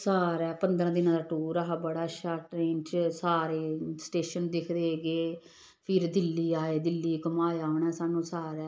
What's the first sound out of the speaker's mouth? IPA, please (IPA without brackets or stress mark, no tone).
s